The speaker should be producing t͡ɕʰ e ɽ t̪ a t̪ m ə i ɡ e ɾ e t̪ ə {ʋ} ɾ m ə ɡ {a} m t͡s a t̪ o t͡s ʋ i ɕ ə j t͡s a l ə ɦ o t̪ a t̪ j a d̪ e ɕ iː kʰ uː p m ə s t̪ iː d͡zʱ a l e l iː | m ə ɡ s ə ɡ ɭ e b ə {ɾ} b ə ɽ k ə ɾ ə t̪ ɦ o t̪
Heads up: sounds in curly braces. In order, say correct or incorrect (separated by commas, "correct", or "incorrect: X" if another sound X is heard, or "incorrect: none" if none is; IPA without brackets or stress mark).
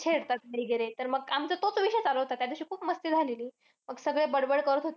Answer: incorrect: none, correct, incorrect: ɽ